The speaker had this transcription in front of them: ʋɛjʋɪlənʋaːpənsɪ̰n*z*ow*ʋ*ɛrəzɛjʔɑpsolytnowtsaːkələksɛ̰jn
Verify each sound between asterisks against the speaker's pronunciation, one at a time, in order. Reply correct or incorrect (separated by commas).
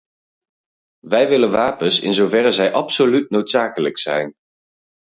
correct, incorrect